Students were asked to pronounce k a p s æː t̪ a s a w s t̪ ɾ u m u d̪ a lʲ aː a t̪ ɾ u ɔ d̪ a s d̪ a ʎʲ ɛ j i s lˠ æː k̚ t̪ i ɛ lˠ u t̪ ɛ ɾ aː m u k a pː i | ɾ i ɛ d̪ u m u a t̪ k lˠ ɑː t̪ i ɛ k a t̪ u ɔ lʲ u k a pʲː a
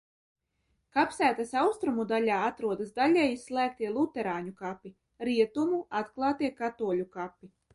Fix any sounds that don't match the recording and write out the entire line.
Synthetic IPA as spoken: k a p s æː t̪ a s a w s t̪ ɾ u m u d̪ a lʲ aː a t̪ ɾ u ɔ d̪ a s d̪ a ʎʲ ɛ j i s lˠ æː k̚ t̪ i ɛ lˠ u t̪ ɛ ɾ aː ɲ u k a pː i | ɾ i ɛ t̪ u m u a t̪ k lˠ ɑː t̪ i ɛ k a t̪ u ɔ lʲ u k a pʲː i